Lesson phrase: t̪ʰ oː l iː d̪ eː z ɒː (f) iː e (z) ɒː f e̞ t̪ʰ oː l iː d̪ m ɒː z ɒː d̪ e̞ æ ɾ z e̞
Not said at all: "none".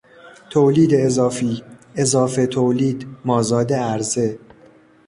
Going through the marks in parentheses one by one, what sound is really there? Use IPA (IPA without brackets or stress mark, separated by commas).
f, z